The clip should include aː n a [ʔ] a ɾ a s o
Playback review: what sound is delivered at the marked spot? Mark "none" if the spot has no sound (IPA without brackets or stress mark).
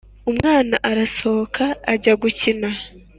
ʔ